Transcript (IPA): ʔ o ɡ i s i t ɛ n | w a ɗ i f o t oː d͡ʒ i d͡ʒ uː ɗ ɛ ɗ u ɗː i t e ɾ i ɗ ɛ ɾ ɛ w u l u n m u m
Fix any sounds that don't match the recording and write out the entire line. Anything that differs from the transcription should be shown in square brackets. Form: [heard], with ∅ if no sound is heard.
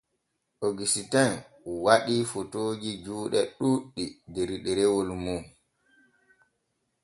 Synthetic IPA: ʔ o ɡ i s i t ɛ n | w a ɗ i f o t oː d͡ʒ i d͡ʒ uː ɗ ɛ ɗ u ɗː i [d] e ɾ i ɗ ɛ ɾ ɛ w [o] l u [∅] m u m